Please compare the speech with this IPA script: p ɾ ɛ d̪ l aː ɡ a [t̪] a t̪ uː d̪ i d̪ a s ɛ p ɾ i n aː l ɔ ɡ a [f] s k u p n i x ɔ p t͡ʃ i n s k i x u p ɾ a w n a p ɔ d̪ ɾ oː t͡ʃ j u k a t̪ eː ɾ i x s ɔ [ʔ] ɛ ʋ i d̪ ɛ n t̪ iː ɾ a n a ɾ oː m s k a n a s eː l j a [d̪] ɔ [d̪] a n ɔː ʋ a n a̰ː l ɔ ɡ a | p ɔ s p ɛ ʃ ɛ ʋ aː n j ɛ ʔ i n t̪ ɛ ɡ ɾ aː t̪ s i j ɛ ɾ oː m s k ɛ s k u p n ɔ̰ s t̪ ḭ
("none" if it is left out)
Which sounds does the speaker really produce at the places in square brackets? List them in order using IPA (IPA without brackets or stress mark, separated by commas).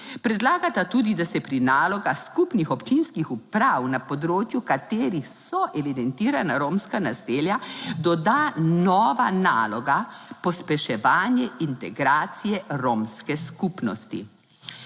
t̪, x, ʔ, d̪, d̪